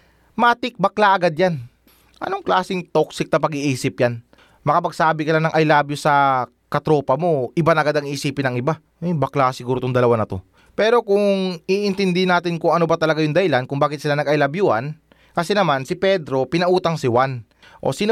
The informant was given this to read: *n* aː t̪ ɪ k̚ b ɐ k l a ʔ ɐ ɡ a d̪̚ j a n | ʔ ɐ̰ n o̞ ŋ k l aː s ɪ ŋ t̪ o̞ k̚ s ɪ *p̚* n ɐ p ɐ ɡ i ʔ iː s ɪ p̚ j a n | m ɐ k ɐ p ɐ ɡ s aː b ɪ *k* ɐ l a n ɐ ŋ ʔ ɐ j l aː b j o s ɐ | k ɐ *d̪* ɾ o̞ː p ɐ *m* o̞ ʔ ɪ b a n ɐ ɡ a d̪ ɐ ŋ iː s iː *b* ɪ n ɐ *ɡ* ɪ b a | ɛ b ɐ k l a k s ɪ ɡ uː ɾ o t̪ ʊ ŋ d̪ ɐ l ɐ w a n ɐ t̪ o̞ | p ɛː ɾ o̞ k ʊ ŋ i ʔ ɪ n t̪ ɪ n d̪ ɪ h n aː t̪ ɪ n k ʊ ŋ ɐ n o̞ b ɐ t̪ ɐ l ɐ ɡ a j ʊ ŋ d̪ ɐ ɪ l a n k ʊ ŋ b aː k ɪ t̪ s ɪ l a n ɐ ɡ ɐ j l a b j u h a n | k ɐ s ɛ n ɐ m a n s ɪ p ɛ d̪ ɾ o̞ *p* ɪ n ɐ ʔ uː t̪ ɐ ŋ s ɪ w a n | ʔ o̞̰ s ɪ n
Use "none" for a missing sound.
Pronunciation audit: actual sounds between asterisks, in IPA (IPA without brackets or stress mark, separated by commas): m, k̚, k, t̪, m, p, ŋ, p